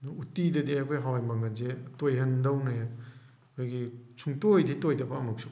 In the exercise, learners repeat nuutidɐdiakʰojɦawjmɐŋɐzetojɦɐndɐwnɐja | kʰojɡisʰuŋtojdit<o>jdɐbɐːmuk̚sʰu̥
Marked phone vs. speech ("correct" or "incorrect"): correct